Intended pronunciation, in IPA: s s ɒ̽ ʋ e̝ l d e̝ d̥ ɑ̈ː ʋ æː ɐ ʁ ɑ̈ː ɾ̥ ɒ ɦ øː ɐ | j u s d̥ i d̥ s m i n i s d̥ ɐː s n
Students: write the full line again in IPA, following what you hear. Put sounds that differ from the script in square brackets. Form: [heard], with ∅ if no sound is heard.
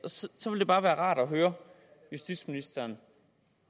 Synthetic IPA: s s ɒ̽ ʋ e̝ l d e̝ [b̥] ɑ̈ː ʋ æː ɐ ʁ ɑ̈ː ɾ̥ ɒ ɦ øː ɐ | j u s d̥ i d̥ s m i n i s d̥ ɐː [∅] n

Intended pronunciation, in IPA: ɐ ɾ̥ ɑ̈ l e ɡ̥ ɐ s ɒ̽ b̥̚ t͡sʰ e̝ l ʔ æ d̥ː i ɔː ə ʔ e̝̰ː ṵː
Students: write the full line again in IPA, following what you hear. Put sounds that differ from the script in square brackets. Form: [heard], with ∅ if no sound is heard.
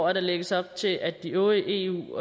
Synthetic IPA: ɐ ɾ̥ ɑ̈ l e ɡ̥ [ə] s ɒ̽ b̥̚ t͡sʰ e̝ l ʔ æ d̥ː i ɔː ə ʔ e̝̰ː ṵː

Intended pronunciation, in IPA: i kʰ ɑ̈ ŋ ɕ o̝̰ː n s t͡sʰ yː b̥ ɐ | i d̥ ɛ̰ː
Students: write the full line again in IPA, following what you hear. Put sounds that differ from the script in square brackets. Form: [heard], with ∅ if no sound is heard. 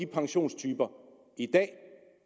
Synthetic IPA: i [pʰ] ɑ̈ ŋ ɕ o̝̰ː n s t͡sʰ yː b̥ ɐ | i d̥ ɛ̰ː

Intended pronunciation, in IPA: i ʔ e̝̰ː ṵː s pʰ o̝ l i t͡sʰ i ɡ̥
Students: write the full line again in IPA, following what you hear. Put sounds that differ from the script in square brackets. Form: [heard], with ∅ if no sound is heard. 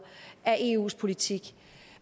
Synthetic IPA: [æ] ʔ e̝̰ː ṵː s pʰ o̝ l i t͡sʰ i ɡ̥

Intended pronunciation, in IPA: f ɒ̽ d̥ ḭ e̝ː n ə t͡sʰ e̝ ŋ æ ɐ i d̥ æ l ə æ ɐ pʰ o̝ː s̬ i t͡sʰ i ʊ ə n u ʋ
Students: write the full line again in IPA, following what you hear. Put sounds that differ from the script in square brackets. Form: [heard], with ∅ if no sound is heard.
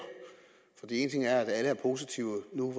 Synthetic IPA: f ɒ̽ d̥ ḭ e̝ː n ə t͡sʰ e̝ ŋ æ ɐ [æ] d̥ æ l ə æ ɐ pʰ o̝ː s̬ i t͡sʰ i ʊ ə n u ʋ

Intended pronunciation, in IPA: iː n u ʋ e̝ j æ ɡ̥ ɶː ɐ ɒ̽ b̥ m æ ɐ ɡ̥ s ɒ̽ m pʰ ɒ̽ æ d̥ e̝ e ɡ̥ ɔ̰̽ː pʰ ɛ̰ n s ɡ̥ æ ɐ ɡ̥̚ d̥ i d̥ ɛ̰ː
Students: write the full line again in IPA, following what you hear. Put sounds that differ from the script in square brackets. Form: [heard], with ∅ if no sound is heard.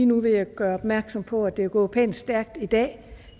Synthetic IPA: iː n u ʋ e̝ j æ ɡ̥ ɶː ɐ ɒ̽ b̥ m æ ɐ ɡ̥ s ɒ̽ m pʰ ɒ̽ æ d̥ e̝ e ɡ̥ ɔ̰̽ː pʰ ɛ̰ n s [d̥] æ ɐ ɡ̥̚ d̥ i d̥ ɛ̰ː

